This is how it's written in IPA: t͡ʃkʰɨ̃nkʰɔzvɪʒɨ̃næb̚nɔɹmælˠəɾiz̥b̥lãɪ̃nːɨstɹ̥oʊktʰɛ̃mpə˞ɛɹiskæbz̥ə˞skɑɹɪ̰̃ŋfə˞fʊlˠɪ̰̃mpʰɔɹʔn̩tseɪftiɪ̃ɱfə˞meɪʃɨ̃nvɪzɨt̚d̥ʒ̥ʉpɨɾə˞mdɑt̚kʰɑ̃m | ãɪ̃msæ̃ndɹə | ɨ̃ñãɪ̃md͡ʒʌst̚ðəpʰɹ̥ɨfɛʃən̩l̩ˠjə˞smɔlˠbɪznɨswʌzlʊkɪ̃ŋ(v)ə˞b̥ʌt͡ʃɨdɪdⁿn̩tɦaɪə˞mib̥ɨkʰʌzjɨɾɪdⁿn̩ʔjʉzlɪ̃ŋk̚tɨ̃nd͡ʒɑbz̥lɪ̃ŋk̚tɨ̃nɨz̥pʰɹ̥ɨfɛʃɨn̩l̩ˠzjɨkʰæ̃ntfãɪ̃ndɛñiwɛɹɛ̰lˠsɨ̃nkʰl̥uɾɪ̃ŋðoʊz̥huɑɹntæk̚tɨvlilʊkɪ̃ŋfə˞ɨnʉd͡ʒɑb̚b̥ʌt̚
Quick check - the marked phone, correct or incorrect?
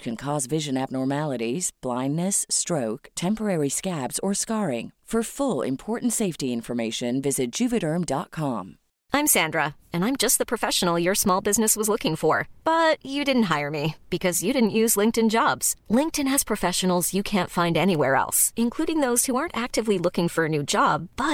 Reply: incorrect